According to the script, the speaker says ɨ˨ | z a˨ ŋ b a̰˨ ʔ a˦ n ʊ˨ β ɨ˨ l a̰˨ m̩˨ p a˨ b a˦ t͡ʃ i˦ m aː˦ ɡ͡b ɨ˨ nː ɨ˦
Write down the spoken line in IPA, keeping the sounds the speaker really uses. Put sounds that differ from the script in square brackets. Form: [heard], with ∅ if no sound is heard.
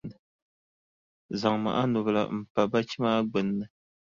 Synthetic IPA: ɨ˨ | z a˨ ŋ [m] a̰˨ ʔ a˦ n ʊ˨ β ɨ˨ l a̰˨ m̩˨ p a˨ b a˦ t͡ʃ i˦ m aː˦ ɡ͡b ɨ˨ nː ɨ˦